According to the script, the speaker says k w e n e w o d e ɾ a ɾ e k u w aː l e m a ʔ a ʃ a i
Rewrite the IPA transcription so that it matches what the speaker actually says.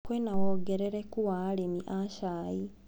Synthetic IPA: k w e n a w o ɡ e ɾ e ɾ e k u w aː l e m i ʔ a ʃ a i